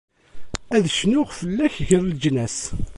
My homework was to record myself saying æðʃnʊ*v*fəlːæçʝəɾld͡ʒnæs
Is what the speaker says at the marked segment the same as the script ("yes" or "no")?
no